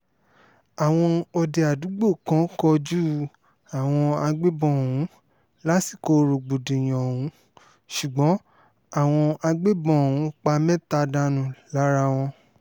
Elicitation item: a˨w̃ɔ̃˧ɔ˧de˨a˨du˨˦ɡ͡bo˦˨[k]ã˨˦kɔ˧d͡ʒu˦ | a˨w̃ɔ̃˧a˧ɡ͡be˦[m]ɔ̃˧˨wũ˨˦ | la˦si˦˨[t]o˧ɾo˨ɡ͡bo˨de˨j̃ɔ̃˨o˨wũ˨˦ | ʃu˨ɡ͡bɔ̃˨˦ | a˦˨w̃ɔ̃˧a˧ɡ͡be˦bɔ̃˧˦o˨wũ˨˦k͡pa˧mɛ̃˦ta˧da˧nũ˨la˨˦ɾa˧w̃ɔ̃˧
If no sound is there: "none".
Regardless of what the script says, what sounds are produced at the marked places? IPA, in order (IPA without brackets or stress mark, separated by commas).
k, b, k